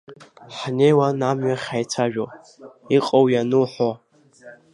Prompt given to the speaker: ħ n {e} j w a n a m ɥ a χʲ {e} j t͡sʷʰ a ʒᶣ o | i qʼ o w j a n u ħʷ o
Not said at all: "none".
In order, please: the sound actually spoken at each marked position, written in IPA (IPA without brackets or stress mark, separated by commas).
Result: e, a